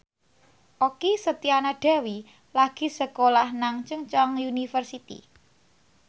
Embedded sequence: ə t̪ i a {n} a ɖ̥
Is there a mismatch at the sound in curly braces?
no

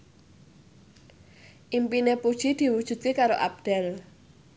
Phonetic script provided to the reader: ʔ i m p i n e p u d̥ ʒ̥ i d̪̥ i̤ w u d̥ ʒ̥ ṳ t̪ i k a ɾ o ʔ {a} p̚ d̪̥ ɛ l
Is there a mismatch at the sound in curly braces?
no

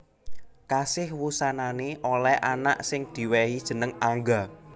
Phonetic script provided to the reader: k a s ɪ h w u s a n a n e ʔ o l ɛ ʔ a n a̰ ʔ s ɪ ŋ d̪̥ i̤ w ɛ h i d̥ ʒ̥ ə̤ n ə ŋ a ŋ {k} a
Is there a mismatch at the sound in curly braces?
yes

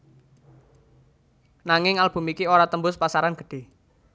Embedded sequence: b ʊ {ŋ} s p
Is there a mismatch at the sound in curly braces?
yes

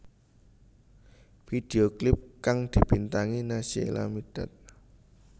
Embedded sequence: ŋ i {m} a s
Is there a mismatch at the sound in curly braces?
yes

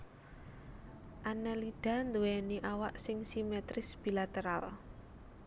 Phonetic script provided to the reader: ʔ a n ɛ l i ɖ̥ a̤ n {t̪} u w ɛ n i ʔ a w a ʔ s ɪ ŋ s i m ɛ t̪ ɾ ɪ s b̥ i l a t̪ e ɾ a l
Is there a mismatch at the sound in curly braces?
yes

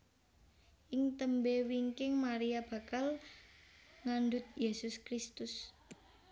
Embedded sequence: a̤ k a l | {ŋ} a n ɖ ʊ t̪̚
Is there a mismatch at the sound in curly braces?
no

